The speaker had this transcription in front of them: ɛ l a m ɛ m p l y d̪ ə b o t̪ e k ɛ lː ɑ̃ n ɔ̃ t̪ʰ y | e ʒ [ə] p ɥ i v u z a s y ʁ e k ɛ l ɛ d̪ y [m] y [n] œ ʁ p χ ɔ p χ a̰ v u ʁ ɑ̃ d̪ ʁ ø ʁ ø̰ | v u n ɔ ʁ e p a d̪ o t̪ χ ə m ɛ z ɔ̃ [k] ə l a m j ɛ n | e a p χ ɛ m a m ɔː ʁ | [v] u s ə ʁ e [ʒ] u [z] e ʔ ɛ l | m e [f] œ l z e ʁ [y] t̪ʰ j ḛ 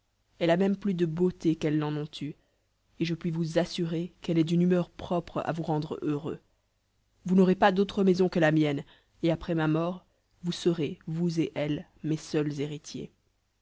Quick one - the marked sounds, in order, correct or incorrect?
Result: correct, incorrect: n, incorrect: m, correct, correct, incorrect: v, correct, incorrect: s, incorrect: i

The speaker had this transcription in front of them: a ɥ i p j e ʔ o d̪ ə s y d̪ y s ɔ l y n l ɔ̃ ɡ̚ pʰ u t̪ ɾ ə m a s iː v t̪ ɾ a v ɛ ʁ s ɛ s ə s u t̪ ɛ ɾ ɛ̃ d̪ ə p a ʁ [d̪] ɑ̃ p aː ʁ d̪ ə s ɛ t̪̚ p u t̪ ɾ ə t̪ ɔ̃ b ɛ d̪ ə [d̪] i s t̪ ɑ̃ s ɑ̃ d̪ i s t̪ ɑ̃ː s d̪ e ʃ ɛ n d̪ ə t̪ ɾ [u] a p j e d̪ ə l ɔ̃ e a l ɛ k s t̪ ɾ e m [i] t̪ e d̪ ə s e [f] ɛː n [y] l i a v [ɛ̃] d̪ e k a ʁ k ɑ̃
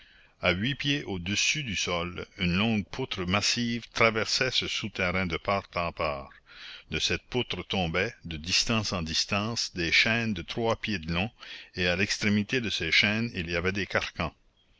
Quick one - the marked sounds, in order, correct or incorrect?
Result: incorrect: t̪, correct, incorrect: w, correct, incorrect: ʃ, incorrect: i, incorrect: ɛ

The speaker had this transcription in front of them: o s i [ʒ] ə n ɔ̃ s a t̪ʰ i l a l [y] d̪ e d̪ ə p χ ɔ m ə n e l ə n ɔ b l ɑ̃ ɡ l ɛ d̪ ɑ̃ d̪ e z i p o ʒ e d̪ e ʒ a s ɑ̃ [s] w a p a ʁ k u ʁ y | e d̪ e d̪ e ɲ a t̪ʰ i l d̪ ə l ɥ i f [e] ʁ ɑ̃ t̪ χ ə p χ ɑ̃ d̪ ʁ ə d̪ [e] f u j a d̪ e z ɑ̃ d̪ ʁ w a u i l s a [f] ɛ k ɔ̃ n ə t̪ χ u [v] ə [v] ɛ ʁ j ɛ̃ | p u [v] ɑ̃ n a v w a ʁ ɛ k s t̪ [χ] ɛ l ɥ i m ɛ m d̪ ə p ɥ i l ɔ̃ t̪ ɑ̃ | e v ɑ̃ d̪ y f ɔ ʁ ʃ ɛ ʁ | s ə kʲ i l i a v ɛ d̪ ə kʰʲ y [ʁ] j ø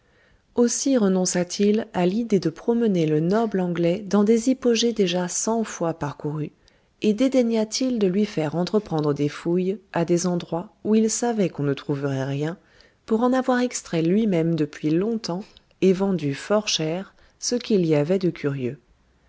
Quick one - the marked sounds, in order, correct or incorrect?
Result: incorrect: ʁ, incorrect: i, incorrect: f, incorrect: ɛ, correct, incorrect: v, correct, incorrect: ʁ, incorrect: ʁ, correct, correct

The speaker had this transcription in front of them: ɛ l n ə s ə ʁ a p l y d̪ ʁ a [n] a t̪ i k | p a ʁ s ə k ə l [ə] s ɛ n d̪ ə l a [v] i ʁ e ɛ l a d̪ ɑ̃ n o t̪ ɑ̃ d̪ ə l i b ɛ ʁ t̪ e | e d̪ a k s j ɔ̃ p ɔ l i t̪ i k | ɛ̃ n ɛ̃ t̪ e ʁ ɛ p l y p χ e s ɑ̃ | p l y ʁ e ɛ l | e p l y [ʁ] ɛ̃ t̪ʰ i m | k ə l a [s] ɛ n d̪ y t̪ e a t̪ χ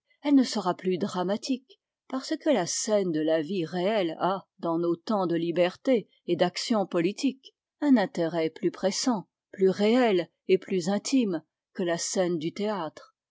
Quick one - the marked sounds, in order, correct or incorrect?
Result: incorrect: m, incorrect: a, correct, incorrect: z, correct

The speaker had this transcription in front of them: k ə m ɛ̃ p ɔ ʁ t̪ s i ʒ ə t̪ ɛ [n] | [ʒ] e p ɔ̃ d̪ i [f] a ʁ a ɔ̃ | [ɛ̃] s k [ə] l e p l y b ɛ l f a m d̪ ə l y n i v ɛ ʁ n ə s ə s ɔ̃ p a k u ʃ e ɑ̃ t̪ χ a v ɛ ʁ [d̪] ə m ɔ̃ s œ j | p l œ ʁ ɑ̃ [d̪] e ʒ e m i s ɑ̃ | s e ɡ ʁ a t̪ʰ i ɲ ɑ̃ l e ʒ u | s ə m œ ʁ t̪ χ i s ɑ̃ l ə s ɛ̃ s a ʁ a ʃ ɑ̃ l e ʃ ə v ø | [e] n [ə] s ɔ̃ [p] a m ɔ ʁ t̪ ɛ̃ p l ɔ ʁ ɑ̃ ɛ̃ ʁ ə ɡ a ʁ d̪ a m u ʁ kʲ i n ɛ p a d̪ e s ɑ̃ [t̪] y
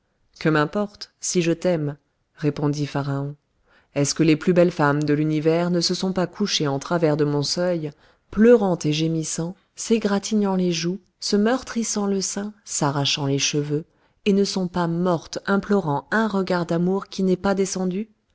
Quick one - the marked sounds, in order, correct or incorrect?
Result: incorrect: m, incorrect: ʁ, correct, incorrect: ɛ, correct, correct, incorrect: t̪, correct, correct, correct, incorrect: d̪

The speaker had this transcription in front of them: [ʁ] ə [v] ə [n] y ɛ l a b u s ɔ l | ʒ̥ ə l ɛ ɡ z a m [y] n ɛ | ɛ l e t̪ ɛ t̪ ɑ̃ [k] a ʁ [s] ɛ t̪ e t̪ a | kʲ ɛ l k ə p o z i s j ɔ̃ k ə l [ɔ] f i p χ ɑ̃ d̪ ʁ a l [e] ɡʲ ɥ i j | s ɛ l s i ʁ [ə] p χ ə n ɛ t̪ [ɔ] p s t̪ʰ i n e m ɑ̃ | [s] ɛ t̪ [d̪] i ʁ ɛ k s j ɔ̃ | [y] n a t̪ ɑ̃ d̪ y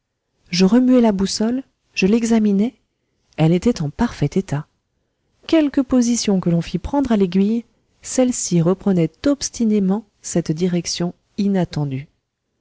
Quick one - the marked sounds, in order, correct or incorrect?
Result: incorrect: ʒ, incorrect: ʁ, incorrect: m, incorrect: i, incorrect: p, incorrect: f, incorrect: ɔ̃, correct, correct, correct, correct, correct, incorrect: i

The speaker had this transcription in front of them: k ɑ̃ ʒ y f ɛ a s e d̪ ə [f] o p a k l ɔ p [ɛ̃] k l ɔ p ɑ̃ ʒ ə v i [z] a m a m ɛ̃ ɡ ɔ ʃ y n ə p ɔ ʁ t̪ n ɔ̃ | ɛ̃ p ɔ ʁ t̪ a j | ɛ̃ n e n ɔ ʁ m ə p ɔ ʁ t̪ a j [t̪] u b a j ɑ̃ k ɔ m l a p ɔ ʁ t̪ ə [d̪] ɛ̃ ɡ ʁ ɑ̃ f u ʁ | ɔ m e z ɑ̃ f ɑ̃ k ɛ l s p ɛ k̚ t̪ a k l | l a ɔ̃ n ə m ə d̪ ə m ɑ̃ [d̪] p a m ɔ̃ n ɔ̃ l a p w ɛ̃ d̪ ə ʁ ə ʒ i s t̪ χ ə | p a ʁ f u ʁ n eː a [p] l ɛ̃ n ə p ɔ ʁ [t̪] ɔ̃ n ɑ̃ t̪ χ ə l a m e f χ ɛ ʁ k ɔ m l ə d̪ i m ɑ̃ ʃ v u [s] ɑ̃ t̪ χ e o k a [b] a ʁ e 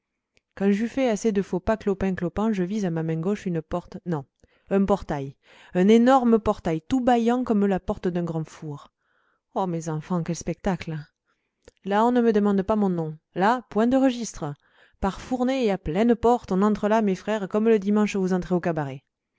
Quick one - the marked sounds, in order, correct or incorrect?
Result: correct, correct, correct, correct, correct, correct, correct, correct, incorrect: z, correct

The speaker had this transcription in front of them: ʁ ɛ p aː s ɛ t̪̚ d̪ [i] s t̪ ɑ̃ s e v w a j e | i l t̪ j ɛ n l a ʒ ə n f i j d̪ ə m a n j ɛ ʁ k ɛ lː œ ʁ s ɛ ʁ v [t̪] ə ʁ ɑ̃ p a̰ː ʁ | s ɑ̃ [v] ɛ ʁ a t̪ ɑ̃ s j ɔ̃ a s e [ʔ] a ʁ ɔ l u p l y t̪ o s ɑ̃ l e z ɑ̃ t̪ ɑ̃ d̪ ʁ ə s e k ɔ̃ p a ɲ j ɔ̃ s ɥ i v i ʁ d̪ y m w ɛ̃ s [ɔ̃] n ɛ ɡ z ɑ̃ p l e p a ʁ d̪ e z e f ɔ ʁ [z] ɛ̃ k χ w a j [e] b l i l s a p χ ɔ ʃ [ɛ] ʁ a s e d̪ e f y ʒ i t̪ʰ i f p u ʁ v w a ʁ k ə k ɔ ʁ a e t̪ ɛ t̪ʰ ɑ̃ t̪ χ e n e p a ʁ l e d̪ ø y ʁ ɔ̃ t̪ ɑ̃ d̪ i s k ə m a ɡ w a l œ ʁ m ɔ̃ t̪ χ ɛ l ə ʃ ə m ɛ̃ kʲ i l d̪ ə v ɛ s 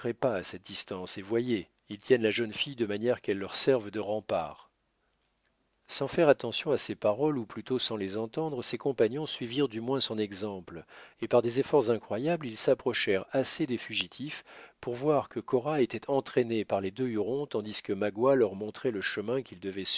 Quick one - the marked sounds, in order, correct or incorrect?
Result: correct, incorrect: d̪, incorrect: f, incorrect: p, correct, correct, incorrect: a, correct

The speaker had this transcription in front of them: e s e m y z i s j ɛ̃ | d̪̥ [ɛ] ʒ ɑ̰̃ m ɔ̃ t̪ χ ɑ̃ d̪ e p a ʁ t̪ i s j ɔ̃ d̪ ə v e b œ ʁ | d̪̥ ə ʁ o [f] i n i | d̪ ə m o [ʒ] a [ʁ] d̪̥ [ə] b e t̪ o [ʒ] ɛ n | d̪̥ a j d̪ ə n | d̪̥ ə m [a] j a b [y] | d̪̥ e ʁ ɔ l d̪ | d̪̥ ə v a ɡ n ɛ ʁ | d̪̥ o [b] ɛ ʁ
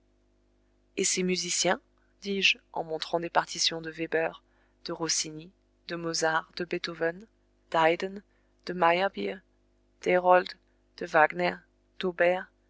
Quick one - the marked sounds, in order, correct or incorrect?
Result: incorrect: i, incorrect: s, incorrect: z, correct, correct, incorrect: v, correct, incorrect: i, correct

